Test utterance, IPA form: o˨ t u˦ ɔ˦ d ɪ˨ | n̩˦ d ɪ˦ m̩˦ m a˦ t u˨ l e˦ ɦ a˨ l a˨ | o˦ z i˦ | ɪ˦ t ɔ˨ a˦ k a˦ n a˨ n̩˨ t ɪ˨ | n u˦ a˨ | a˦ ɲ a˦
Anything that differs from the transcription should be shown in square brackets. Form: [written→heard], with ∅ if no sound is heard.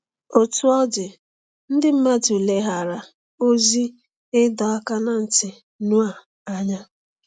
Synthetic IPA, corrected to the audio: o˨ t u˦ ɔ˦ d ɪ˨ | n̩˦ d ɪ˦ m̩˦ m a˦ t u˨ l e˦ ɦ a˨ [l→ɾ] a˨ | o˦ z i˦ | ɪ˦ [t→d] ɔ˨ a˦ k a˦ n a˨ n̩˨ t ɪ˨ | n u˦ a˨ | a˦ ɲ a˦